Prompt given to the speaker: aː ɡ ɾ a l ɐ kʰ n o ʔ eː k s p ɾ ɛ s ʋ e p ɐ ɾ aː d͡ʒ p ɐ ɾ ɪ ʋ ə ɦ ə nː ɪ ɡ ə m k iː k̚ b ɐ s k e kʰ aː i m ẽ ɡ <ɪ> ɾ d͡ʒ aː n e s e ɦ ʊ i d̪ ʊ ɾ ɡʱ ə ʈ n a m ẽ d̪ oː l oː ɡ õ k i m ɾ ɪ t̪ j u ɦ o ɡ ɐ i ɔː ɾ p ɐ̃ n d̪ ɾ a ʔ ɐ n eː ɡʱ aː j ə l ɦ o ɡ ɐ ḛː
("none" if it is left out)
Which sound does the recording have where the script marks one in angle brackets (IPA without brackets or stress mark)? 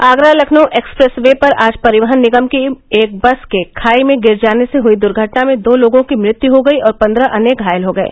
ɪ